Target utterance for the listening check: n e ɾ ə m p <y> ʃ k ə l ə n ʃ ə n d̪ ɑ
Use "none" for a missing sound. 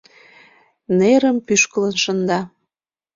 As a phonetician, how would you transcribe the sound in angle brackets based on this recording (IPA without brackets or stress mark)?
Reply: y